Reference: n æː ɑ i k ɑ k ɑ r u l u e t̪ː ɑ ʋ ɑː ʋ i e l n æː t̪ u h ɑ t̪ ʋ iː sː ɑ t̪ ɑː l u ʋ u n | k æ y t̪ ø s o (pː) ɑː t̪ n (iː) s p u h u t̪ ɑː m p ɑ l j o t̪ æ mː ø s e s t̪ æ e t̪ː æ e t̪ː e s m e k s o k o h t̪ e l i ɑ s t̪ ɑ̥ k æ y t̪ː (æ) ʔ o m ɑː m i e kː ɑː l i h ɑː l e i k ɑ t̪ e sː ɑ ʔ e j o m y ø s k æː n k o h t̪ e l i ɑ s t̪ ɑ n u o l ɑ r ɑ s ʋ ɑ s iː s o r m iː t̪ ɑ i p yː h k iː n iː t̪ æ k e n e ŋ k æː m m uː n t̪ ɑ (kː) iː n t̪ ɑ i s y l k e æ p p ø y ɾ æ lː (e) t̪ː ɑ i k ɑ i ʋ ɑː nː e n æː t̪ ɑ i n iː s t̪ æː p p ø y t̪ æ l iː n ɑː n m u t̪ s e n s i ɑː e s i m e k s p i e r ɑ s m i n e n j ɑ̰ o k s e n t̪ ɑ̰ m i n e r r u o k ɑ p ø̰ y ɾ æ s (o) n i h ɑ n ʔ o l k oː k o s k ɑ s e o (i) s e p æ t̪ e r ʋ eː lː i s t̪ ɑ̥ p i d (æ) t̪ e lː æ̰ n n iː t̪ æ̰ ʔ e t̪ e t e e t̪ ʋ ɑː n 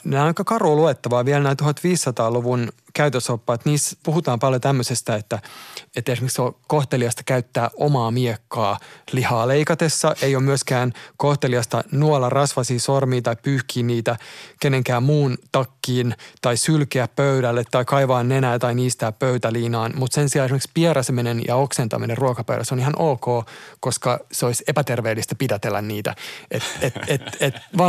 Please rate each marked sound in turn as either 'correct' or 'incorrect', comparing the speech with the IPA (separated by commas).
correct, correct, incorrect, correct, correct, correct, correct, correct